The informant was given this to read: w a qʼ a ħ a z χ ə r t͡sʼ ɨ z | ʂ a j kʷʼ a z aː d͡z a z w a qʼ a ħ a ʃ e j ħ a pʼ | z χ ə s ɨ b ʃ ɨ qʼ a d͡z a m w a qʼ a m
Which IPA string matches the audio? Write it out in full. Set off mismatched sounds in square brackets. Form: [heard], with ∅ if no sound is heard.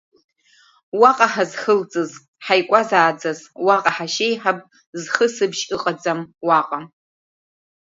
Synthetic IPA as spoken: w a qʼ a ħ a z χ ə [l] t͡sʼ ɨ z | [ħ] a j kʷʼ a z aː d͡z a z w a qʼ a ħ a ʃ e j ħ a pʼ | z χ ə s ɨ b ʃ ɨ qʼ a d͡z a m w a qʼ a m

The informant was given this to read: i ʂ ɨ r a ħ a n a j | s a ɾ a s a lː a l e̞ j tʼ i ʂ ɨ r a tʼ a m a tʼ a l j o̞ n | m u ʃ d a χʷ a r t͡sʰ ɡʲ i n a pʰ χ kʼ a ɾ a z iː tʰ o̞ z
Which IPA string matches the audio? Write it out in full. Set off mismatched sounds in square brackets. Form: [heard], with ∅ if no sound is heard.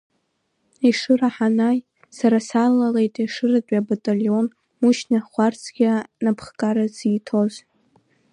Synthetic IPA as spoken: i ʂ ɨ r a ħ a n a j | s a ɾ a s a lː a l e̞ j tʼ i ʂ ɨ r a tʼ a [b] a tʼ a l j o̞ n | m u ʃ [n] a χʷ a r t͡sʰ ɡʲ [a] n a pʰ χ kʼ a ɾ a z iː tʰ o̞ z

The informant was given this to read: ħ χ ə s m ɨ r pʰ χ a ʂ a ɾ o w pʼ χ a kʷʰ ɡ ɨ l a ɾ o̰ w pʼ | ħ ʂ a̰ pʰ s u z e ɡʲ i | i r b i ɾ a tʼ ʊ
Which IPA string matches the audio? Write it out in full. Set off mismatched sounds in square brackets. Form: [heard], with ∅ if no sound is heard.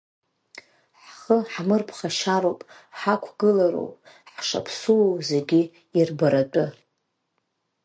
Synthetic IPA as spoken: ħ χ ə [ħ] m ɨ r pʰ χ a [ʃ] a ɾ o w pʼ [ħ] a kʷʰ ɡ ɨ l a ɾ o̰ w pʼ | ħ ʂ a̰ pʰ s u z e ɡʲ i | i r b [a] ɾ a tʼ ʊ

